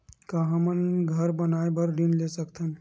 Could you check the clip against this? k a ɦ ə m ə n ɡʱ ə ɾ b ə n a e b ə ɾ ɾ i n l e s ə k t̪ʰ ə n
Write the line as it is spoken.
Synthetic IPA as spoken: k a ɦ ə m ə n ɡʱ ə ɾ b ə n a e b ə ɾ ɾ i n l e s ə k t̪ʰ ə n